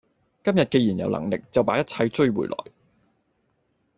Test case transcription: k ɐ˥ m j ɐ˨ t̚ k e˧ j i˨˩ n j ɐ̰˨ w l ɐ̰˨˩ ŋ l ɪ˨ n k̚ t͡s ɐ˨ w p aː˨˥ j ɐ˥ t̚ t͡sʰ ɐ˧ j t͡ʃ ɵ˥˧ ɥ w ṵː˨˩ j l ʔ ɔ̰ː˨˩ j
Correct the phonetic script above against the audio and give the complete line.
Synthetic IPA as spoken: k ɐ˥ m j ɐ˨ t̚ k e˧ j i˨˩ n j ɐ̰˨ w l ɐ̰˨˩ ŋ l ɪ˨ k̚ t͡s ɐ˨ w p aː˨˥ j ɐ˥ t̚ t͡sʰ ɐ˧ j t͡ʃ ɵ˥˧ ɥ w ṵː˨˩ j l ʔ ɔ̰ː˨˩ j